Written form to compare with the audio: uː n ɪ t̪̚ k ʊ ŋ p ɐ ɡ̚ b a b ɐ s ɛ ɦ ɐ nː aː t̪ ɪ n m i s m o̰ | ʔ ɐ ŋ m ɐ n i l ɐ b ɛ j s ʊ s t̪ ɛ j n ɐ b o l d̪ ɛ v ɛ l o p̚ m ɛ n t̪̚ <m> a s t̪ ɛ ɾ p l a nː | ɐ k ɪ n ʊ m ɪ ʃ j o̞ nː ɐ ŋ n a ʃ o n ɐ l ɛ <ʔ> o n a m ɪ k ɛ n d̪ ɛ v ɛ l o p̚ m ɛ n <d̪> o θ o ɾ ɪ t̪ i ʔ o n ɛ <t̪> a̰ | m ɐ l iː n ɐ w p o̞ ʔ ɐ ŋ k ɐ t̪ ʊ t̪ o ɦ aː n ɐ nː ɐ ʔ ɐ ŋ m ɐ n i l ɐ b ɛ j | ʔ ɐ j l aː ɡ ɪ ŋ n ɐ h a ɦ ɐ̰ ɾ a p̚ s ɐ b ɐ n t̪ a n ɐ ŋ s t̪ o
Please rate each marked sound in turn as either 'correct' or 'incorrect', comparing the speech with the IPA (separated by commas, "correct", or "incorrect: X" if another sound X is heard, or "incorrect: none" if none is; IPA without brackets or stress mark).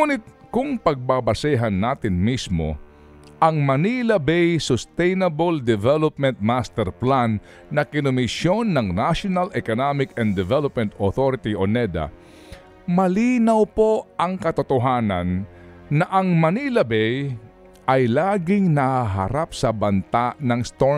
correct, incorrect: k, incorrect: t̪, incorrect: d̪